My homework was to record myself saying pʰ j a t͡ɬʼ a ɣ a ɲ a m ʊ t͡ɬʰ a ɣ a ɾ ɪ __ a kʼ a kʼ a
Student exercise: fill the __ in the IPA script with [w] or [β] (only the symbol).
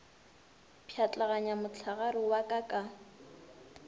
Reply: w